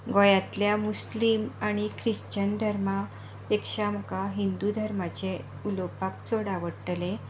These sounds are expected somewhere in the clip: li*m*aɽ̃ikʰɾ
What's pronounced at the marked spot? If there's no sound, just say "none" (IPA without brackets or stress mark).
m